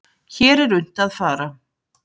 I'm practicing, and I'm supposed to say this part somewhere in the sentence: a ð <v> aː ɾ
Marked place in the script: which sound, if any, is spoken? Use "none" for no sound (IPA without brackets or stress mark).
f